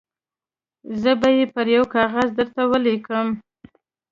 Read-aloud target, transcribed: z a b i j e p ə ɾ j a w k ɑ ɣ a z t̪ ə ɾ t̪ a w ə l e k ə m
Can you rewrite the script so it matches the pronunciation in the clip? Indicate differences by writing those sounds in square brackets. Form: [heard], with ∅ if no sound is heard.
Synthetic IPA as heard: z [ə] b [a] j e p ə ɾ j a w k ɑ ɣ a z [d̪] ə ɾ t̪ a w ə l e k ə m